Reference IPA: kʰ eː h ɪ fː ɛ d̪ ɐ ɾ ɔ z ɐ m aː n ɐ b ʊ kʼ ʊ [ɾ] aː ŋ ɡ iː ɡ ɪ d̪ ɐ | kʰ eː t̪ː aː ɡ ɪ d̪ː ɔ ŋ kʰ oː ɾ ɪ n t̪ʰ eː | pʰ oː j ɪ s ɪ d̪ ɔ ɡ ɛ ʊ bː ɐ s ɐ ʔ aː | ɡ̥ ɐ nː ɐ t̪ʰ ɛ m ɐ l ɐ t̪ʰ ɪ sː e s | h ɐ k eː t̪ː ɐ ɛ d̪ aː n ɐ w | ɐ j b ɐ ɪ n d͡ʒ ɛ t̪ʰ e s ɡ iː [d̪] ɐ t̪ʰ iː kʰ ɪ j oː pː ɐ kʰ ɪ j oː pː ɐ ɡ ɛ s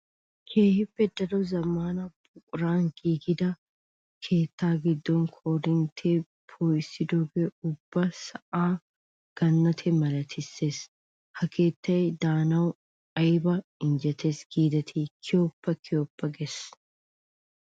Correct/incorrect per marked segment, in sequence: correct, correct

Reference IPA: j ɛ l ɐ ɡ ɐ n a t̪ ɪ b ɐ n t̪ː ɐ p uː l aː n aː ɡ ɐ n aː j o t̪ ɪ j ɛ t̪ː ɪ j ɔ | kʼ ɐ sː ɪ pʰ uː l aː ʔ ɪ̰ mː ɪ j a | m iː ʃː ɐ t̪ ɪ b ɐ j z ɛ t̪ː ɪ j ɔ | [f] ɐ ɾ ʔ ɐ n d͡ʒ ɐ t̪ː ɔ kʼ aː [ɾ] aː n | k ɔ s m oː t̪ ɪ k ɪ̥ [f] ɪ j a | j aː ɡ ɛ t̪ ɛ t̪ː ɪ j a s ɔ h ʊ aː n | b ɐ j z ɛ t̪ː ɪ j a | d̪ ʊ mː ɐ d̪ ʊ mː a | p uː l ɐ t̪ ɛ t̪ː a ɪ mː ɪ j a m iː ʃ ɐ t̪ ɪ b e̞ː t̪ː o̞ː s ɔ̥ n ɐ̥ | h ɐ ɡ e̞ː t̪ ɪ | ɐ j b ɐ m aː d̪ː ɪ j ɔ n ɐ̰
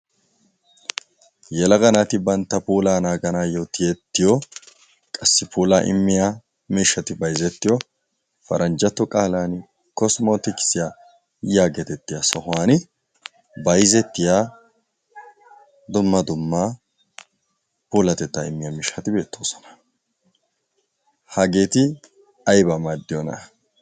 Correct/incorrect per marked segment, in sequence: correct, incorrect: l, incorrect: s

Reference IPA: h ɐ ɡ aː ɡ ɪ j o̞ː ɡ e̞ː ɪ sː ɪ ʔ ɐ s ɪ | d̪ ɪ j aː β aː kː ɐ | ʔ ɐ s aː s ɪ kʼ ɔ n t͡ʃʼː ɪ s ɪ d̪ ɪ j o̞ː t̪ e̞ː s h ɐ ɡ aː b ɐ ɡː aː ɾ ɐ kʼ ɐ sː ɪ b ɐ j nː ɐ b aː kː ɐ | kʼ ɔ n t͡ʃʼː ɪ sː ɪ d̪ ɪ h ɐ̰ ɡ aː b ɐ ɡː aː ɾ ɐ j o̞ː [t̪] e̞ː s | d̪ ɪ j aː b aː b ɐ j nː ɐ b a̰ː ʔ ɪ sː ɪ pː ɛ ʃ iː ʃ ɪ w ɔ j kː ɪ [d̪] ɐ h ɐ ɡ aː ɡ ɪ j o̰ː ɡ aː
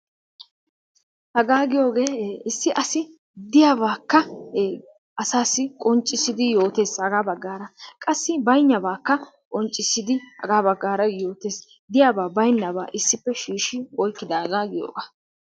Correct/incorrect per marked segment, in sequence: correct, correct

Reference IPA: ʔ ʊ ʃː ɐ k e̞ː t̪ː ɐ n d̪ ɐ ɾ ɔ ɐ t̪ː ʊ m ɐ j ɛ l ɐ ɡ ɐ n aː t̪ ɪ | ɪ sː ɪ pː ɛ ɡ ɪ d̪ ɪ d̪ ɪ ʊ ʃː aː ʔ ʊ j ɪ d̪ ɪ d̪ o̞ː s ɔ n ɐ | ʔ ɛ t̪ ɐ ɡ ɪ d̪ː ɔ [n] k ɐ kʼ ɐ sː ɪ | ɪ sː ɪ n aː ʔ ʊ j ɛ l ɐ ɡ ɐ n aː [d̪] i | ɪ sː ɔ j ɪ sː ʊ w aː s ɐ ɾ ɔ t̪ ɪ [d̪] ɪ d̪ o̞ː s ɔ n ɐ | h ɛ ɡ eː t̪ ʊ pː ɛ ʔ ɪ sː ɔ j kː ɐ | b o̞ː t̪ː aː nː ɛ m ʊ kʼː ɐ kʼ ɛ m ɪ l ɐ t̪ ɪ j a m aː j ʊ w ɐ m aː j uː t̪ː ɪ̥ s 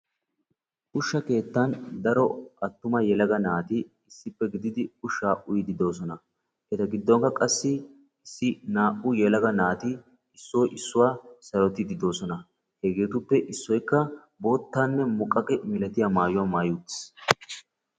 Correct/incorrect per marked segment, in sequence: incorrect: ŋ, incorrect: t̪, correct

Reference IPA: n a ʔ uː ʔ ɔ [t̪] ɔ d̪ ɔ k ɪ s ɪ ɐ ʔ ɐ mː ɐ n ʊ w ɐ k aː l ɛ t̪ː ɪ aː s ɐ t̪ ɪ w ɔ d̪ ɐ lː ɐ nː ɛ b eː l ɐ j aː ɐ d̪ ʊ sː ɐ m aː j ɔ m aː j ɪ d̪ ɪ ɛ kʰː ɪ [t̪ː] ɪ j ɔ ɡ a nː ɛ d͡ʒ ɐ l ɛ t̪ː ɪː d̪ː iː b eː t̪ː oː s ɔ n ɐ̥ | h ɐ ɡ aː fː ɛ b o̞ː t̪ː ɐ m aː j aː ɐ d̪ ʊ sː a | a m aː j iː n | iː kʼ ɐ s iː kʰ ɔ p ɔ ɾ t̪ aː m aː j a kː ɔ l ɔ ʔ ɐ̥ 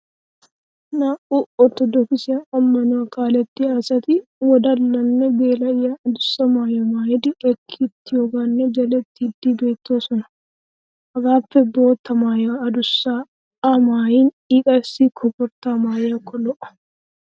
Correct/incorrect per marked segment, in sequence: correct, correct

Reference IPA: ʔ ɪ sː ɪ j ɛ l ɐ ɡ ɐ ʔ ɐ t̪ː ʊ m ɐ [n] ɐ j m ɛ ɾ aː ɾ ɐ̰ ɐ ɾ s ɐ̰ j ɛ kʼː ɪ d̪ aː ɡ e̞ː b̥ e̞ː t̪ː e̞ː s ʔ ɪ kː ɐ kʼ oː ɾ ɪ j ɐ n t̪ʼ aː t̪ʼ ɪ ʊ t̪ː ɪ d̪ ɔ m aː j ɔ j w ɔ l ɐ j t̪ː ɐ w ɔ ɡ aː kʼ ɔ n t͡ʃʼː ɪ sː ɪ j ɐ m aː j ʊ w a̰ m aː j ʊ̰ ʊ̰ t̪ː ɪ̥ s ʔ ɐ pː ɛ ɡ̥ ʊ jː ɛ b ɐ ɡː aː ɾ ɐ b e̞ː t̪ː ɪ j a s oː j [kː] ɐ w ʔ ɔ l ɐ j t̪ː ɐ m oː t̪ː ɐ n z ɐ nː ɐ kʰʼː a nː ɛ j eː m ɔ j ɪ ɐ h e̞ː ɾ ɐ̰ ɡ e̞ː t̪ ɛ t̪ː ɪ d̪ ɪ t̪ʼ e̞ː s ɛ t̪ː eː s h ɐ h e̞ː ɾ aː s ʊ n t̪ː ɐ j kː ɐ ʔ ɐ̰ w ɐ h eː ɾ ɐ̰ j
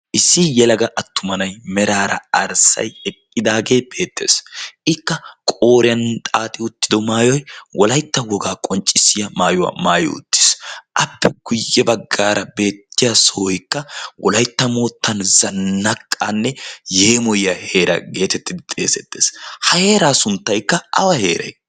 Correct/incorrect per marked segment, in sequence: correct, correct

